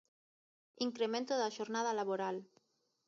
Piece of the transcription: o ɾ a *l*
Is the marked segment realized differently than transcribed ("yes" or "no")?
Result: no